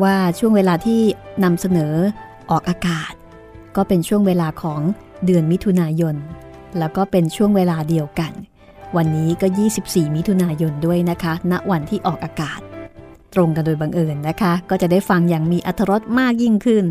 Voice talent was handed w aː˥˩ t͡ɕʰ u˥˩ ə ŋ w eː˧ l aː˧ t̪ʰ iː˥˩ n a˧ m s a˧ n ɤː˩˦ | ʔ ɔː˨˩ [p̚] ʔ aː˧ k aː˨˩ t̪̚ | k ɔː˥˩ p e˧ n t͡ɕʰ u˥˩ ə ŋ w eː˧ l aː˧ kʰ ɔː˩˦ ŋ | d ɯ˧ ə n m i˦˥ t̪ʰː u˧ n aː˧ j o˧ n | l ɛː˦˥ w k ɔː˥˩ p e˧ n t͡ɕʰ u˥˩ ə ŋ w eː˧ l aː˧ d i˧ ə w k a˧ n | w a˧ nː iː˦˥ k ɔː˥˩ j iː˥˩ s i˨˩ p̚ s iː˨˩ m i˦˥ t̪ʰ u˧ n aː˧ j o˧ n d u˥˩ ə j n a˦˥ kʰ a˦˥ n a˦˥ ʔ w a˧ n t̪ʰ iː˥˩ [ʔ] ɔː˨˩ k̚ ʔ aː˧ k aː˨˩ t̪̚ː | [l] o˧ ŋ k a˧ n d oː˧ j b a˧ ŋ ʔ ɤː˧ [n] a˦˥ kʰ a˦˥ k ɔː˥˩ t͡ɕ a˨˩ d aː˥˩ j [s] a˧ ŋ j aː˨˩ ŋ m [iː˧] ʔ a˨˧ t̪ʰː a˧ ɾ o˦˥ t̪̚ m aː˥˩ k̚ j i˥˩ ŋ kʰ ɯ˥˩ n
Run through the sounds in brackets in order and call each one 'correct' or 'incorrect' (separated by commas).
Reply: incorrect, correct, incorrect, incorrect, incorrect, correct